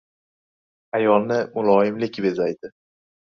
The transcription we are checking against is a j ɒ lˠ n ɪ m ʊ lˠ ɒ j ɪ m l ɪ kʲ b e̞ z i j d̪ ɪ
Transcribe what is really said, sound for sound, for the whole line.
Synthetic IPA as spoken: a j ɒ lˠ n ɪ m ʊ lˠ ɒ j ɪ m l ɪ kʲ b e̞ z a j d̪ ɪ